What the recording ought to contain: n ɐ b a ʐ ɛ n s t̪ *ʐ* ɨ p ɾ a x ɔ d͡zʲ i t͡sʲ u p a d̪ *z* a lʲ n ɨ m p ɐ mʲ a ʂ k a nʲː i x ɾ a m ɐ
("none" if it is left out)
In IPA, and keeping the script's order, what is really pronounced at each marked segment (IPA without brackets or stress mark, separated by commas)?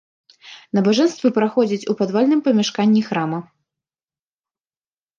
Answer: v, v